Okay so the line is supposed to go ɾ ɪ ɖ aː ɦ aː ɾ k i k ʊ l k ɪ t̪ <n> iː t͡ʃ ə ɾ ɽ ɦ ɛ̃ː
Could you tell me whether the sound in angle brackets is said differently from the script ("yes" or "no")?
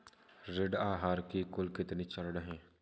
no